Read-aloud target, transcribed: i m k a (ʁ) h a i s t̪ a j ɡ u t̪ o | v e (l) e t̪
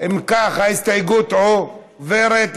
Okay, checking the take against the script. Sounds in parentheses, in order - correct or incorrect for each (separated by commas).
incorrect, incorrect